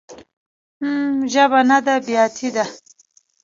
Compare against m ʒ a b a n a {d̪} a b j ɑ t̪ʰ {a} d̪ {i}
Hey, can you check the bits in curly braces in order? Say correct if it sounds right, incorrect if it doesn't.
correct, incorrect, incorrect

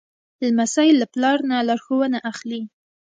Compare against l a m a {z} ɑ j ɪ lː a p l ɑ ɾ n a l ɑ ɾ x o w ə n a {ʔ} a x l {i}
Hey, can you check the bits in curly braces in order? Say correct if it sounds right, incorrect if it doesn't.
incorrect, correct, correct

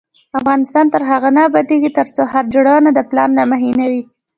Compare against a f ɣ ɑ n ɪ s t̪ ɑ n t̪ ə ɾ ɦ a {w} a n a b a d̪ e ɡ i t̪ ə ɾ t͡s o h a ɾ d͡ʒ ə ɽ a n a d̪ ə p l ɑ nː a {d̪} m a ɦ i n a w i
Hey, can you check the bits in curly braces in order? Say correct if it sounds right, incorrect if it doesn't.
incorrect, incorrect

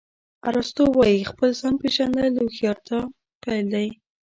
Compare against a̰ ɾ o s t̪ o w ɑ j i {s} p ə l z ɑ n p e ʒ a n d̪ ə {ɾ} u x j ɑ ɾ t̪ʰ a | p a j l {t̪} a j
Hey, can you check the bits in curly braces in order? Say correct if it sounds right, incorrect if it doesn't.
incorrect, incorrect, incorrect

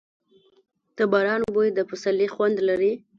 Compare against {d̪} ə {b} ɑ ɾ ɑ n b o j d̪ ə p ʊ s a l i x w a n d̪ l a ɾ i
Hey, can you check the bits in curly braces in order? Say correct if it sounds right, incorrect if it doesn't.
incorrect, correct

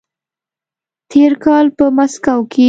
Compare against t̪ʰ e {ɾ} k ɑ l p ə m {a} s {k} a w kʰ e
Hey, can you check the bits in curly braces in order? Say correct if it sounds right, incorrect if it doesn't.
correct, correct, correct

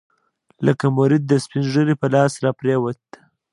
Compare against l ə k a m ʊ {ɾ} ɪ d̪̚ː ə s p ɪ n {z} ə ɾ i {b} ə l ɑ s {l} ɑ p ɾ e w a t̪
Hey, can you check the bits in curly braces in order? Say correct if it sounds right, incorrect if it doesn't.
correct, incorrect, incorrect, incorrect

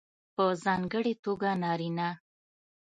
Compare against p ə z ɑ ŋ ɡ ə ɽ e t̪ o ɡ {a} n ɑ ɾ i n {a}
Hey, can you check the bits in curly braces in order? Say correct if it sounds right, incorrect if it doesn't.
correct, correct

